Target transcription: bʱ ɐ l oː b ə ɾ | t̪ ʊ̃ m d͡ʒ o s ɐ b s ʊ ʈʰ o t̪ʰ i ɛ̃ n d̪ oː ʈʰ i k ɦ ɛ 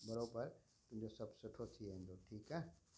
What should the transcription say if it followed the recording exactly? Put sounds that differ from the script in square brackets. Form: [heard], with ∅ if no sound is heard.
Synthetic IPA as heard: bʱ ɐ [ɾ] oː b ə ɾ | t̪ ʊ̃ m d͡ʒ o s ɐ b s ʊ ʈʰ o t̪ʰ i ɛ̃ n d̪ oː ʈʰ [iː] k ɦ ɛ